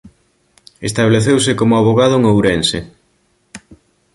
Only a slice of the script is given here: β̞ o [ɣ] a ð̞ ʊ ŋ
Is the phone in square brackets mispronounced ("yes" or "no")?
no